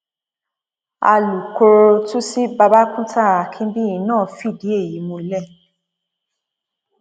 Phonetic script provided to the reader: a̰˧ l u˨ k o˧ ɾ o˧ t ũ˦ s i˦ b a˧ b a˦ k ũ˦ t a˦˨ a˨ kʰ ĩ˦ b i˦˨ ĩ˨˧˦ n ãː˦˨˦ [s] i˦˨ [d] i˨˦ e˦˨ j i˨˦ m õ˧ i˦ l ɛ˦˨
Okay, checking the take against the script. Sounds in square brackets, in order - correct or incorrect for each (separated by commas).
incorrect, correct